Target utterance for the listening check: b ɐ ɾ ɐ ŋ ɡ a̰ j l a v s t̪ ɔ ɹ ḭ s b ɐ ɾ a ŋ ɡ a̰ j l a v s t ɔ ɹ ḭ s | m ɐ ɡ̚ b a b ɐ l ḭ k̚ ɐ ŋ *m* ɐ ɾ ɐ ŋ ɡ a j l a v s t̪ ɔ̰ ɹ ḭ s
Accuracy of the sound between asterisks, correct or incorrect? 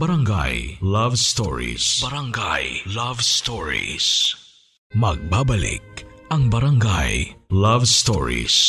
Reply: incorrect